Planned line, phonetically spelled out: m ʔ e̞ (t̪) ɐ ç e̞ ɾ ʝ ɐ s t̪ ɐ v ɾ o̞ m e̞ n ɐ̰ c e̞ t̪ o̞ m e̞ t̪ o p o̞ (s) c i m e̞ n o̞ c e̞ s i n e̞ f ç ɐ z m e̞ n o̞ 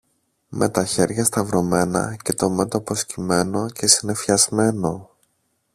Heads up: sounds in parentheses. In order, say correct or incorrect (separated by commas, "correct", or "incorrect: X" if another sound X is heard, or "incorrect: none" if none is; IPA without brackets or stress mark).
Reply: correct, correct